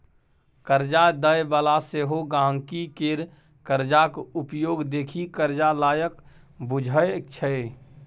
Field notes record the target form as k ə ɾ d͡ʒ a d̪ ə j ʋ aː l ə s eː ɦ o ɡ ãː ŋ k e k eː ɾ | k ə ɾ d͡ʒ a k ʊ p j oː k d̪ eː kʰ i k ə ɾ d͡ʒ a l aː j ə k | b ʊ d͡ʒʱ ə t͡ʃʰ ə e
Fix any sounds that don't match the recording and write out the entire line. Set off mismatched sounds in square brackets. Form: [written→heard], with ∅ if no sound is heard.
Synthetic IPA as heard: k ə ɾ d͡ʒ a d̪ ə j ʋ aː l [ə→a] s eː ɦ o ɡ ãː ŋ k [e→i] k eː ɾ | k ə ɾ d͡ʒ a k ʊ p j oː [k→ɡ] d̪ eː kʰ i k ə ɾ d͡ʒ a l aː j ə k | b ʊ d͡ʒʱ ə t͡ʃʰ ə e